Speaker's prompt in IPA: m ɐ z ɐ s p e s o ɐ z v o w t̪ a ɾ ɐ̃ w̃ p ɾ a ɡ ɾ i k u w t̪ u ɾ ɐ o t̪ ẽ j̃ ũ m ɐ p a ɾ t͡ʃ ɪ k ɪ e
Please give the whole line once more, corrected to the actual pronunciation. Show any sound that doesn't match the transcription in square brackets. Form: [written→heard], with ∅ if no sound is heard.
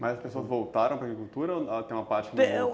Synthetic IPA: m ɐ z ɐ s p e s o ɐ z v o w t̪ a ɾ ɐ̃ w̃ p ɾ a ɡ ɾ i k u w t̪ u ɾ ɐ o t̪ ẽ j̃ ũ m ɐ p a ɾ t͡ʃ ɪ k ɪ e